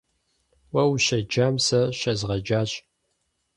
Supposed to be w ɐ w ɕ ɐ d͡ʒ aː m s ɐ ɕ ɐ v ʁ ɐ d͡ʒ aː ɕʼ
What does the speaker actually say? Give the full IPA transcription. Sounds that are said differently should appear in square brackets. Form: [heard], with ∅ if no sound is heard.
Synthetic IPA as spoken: w ɐ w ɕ ɐ d͡ʒ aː m s ɐ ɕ ɐ [z] ʁ ɐ d͡ʒ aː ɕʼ

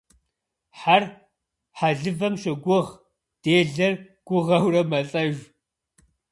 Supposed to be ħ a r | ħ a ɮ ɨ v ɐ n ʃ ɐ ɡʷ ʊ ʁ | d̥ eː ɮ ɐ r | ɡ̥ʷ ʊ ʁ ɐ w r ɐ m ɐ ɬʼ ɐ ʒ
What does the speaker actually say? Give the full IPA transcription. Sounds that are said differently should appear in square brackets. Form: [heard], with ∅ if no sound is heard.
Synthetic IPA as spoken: ħ a r | ħ a ɮ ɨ v ɐ [m] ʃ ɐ ɡʷ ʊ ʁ | d̥ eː ɮ ɐ r | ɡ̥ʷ ʊ ʁ ɐ w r ɐ m ɐ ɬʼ ɐ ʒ

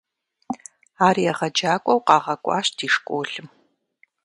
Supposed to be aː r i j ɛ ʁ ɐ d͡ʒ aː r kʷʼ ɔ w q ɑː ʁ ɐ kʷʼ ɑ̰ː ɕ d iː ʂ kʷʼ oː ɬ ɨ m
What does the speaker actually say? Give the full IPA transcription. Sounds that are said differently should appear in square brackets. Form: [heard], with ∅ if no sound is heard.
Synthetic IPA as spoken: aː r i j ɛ ʁ ɐ d͡ʒ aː [∅] kʷʼ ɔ w q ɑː ʁ ɐ kʷʼ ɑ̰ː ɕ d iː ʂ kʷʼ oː ɬ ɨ m

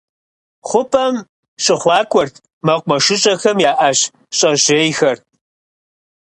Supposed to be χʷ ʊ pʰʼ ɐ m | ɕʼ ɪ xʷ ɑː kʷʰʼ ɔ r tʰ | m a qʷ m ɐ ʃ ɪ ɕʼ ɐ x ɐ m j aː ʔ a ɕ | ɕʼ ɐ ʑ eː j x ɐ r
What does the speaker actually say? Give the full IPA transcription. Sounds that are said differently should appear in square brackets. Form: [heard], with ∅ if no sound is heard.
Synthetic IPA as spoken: χʷ ʊ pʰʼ ɐ m | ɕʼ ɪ [χʷ] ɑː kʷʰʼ ɔ r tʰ | m [ɐ] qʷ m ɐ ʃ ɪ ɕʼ ɐ x ɐ m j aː ʔ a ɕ | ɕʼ ɐ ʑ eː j x ɐ r

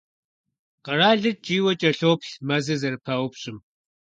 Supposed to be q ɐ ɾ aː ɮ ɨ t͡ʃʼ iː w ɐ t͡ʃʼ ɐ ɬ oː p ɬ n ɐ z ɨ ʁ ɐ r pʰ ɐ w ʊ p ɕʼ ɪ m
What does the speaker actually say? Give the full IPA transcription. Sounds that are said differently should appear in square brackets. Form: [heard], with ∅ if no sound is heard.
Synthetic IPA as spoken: q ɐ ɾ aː ɮ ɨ t͡ʃʼ iː w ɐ t͡ʃʼ ɐ ɬ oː p ɬ [m] ɐ z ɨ [z] ɐ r pʰ ɐ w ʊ p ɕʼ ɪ m

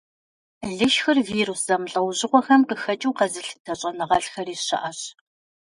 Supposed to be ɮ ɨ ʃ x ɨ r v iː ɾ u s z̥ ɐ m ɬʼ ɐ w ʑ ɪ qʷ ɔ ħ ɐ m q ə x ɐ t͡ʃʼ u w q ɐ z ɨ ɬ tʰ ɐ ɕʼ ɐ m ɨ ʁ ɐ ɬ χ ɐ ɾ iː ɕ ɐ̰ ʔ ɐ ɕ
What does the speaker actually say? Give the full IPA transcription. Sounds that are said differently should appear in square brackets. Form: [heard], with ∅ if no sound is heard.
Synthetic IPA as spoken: ɮ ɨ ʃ x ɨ r v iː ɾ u s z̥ ɐ m ɬʼ ɐ w ʑ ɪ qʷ ɔ [x] ɐ m q ə x ɐ t͡ʃʼ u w q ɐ z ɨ ɬ tʰ ɐ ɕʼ ɐ [n] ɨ ʁ ɐ ɬ [x] ɐ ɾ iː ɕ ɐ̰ ʔ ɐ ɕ

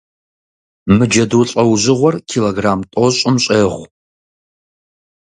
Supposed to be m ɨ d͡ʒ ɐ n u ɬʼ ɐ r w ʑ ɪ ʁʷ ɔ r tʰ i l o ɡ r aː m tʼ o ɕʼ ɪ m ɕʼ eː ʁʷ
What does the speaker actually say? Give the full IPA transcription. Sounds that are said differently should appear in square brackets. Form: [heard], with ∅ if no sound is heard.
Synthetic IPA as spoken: m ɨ d͡ʒ ɐ [d] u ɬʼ ɐ [∅] w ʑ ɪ ʁʷ ɔ r [kʰ] i l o ɡ r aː m tʼ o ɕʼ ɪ m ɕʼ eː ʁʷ

